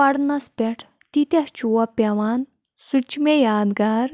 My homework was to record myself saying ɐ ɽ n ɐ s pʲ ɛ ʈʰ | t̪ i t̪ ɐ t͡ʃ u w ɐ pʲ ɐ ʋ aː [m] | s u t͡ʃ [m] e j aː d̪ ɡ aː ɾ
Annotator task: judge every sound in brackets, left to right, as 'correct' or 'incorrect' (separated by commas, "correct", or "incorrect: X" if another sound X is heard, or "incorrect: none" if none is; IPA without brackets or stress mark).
incorrect: n, correct